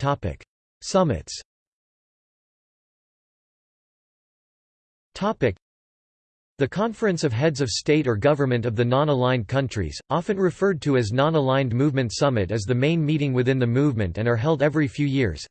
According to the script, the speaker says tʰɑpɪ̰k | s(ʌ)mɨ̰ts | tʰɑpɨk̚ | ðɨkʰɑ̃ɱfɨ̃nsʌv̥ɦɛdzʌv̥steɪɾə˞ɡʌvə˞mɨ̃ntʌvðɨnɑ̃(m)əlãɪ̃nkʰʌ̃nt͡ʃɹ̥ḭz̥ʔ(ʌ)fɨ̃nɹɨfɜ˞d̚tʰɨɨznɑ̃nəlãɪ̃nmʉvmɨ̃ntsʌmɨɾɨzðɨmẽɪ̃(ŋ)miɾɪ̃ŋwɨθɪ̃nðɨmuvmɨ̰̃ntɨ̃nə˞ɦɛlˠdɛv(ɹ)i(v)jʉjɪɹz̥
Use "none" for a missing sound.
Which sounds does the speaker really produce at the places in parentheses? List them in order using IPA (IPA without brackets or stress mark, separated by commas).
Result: ʌ, n, ɑ, n, ɹ, f